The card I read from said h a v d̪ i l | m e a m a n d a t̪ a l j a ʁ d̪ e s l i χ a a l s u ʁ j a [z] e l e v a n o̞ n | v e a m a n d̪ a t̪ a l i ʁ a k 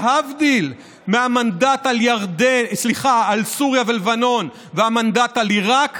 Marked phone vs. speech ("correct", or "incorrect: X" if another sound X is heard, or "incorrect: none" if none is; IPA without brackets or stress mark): incorrect: v